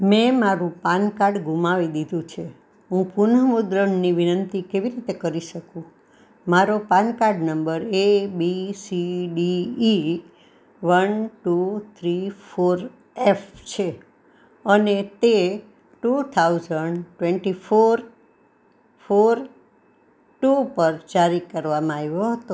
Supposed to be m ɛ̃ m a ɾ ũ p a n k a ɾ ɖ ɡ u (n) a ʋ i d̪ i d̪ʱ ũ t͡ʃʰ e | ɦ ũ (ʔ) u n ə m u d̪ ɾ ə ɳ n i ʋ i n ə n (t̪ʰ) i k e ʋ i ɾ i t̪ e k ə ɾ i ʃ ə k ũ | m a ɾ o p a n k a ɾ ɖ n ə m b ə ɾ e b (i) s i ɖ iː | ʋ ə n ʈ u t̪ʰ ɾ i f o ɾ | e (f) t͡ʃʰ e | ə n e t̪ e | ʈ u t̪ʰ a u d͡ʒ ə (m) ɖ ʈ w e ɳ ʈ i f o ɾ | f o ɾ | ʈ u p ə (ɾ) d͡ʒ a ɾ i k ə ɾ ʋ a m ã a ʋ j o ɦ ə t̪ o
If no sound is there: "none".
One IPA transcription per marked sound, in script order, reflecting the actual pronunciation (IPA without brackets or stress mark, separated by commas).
m, p, t̪, i, f, ɳ, ɾ